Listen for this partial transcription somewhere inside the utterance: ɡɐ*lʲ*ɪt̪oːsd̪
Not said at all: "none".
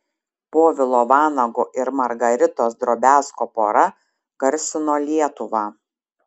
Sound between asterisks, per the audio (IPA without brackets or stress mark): ɾʲ